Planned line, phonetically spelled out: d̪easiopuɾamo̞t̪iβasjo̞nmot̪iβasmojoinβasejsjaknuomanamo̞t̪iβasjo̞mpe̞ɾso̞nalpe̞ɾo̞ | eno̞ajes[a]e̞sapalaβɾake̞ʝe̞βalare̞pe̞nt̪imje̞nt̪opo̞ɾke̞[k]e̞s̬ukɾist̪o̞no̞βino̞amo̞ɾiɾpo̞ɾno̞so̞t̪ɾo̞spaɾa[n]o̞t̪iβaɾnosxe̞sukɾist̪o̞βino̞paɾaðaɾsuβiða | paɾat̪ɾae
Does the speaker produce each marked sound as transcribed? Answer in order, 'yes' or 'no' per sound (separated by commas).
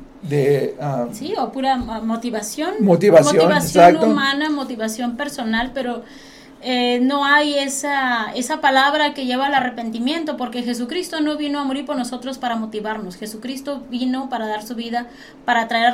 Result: yes, no, no